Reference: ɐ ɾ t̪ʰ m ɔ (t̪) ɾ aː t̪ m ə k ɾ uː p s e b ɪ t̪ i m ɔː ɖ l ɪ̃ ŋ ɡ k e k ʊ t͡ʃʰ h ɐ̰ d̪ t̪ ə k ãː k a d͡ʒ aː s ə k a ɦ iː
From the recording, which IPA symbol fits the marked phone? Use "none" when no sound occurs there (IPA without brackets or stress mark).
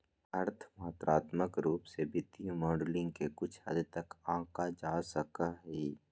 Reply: t̪